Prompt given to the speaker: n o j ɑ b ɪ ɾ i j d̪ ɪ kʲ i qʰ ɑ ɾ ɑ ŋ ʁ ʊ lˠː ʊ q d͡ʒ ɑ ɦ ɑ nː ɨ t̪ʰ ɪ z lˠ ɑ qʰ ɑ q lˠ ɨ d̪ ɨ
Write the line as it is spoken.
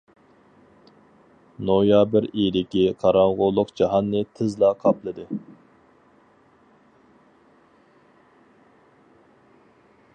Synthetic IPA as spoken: n o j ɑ b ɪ ɾ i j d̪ ɪ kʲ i qʰ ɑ ɾ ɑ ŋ ʁ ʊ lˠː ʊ q d͡ʒ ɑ ɦ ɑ nː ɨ t̪ʰ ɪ z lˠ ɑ qʰ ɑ p lˠ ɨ d̪ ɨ

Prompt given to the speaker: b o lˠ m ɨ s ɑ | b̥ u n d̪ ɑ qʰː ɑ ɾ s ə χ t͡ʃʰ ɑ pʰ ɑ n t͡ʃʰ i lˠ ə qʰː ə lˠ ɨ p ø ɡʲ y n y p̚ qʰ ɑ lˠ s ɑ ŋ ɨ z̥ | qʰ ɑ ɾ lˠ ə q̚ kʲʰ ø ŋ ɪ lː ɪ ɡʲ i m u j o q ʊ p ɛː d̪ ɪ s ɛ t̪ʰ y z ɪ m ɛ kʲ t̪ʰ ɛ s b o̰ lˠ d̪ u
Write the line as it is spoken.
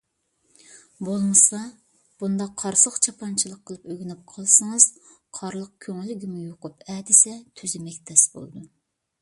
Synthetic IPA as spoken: b o lˠ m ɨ s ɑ | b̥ u n d̪ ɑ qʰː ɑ ɾ s ə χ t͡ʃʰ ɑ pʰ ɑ n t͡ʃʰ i lˠ ə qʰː ə lˠ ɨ p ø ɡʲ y n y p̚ qʰ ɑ lˠ s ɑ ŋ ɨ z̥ | qʰ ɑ ɾ lˠ ə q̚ kʲʰ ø ŋ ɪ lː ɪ ɡʲ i m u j o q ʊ p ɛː d̪ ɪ s ɛ t̪ʰ y z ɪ m ɛ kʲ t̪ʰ ɛ s b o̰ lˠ d̪ u

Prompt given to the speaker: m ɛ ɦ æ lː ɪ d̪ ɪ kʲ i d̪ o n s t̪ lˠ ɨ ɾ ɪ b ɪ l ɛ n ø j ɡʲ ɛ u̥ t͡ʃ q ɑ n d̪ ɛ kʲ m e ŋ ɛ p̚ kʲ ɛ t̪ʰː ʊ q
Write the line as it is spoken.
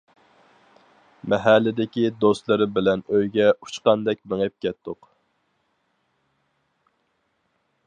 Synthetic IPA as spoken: m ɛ ɦ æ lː ɪ d̪ ɪ kʲ i d̪ o s t̪ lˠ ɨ ɾ ɪ b ɪ l ɛ n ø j ɡʲ ɛ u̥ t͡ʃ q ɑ n d̪ ɛ kʲ m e ŋ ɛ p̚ kʲ ɛ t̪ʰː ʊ q

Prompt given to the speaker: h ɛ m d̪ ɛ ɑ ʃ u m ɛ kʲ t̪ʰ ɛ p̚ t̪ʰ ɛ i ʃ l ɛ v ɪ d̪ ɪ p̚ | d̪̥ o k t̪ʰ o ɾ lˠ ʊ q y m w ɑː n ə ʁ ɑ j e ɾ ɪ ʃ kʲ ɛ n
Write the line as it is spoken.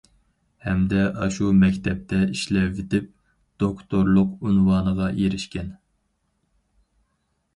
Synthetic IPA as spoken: h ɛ m d̪ ɛ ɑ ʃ u m ɛ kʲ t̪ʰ ɛ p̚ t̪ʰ ɛ i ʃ l ɛ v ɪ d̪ ɪ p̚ | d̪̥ o k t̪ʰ o ɾ lˠ ʊ q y n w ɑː n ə ʁ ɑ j e ɾ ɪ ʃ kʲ ɛ n

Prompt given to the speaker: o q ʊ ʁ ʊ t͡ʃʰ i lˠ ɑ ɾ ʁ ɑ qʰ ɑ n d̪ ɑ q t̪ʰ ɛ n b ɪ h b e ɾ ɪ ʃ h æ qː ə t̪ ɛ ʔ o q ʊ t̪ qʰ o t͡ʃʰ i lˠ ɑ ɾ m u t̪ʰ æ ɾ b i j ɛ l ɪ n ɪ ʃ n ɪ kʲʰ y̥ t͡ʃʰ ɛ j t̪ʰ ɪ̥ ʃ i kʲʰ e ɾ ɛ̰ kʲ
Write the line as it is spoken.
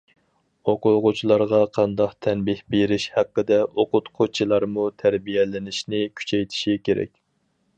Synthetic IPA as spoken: o q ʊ ʁ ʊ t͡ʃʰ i lˠ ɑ ɾ ʁ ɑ qʰ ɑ n d̪ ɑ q t̪ʰ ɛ n b ɪ h b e ɾ ɪ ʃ h æ qː ə d̪ ɛ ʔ o q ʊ t̪ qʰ o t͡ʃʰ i lˠ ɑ ɾ m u t̪ʰ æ ɾ b i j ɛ l ɪ n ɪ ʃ n ɪ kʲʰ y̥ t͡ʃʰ ɛ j t̪ʰ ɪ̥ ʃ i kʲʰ e ɾ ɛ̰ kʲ

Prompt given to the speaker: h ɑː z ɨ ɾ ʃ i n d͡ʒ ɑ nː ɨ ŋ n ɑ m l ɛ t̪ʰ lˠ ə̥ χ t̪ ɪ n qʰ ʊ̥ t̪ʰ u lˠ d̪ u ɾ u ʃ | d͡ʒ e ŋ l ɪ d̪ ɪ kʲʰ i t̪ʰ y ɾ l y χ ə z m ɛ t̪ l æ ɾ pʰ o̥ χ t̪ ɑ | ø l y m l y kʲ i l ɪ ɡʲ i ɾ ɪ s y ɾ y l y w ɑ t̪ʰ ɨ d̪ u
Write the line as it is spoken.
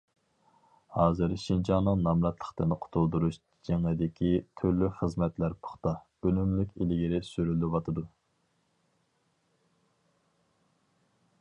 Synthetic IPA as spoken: h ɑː z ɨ ɾ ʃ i n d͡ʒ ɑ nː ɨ ŋ n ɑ m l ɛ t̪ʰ lˠ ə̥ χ t̪ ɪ n qʰ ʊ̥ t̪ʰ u lˠ d̪ u ɾ u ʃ | d͡ʒ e ŋ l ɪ d̪ ɪ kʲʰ i t̪ʰ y ɾ l y χ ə z m ɛ t̪ l æ ɾ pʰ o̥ χ t̪ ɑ | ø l y m l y kʲ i l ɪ ɡʲ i ɾ ɪ s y ɾ y l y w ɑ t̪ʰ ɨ d̪ u

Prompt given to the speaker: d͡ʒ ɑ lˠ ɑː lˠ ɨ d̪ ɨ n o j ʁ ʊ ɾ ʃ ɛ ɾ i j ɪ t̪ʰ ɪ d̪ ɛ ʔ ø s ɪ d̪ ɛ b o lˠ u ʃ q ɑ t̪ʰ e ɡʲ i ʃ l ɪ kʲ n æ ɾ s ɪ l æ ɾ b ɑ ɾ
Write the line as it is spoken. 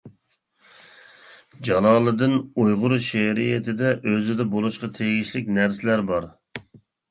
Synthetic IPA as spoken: d͡ʒ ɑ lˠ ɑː lˠ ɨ d̪ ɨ n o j ʁ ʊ ɾ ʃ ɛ ɾ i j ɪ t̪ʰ ɪ d̪ ɛ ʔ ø z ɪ d̪ ɛ b o lˠ u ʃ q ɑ t̪ʰ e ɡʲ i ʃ l ɪ kʲ n æ ɾ s ɪ l æ ɾ b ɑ ɾ

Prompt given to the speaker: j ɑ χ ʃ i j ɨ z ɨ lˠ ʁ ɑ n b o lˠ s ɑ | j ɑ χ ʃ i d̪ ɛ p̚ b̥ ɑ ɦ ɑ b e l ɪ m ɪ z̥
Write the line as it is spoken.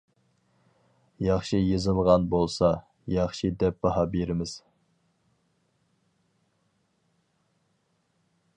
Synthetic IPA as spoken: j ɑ χ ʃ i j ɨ z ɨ lˠ ʁ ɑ n b o lˠ s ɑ | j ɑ χ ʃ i d̪ ɛ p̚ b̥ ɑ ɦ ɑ b e ɾ ɪ m ɪ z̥

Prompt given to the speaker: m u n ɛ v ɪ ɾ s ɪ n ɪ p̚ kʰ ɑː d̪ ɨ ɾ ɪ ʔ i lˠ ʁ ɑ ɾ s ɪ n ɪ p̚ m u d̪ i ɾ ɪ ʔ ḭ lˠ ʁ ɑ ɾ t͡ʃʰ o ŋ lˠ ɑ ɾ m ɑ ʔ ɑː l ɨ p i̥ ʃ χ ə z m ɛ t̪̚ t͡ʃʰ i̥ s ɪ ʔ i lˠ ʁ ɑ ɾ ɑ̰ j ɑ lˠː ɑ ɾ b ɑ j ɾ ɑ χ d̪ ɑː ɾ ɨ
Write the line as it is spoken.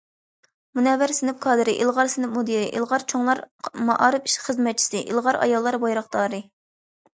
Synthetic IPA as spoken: m u n ɛ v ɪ ɾ s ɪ n ɪ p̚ kʰ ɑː d̪ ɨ ɾ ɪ ʔ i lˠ ʁ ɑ ɾ s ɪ n ɪ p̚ m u d̪ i ɾ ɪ ʔ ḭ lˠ ʁ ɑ ɾ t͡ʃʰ o ŋ lˠ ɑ ɾ m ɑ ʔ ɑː ɾ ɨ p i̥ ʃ χ ə z m ɛ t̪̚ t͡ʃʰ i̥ s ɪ ʔ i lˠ ʁ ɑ ɾ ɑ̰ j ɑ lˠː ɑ ɾ b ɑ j ɾ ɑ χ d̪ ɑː ɾ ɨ

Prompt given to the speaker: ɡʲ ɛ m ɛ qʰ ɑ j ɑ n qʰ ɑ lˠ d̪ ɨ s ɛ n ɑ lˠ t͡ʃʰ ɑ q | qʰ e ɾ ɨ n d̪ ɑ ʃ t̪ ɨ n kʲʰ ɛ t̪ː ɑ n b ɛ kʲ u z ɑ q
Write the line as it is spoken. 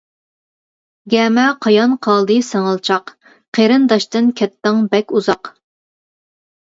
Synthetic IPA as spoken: ɡʲ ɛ m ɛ qʰ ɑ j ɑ n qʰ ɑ lˠ d̪ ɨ s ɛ ŋ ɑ lˠ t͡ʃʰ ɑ q | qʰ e ɾ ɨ n d̪ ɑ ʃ t̪ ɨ n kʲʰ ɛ t̪ː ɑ ŋ b ɛ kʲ u z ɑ q

